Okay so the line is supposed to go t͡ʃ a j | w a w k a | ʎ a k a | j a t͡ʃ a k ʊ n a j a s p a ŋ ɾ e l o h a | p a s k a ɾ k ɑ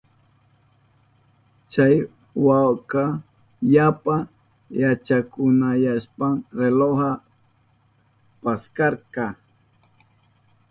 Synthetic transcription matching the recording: t͡ʃ a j | w a w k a | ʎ a p a | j a t͡ʃ a k ʊ n a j a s p a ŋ ɾ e l o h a | p a s k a ɾ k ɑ